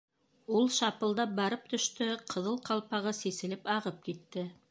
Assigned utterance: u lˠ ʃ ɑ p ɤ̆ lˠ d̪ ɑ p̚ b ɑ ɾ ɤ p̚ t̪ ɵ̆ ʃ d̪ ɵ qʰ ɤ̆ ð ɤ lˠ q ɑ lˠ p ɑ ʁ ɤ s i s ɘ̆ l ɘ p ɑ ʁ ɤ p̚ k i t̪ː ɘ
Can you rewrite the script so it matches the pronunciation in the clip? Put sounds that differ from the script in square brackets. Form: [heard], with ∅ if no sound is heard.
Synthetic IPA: u lˠ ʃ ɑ p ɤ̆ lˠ d̪ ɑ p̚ b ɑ ɾ ɤ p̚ t̪ ɵ̆ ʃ [t̪] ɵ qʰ ɤ̆ ð ɤ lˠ q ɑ lˠ p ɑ ʁ ɤ s i s ɘ̆ l ɘ p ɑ ʁ ɤ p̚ k i t̪ː ɘ